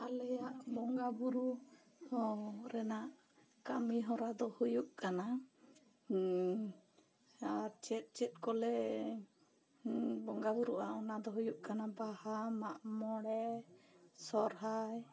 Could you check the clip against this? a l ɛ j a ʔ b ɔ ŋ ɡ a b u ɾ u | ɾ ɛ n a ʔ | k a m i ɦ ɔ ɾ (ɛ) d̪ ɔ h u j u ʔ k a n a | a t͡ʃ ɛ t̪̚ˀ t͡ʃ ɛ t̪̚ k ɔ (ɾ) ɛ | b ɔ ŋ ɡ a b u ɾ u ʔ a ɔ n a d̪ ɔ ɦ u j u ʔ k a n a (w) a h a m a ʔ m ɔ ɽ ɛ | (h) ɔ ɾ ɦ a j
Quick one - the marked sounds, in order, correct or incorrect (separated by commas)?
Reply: incorrect, incorrect, incorrect, incorrect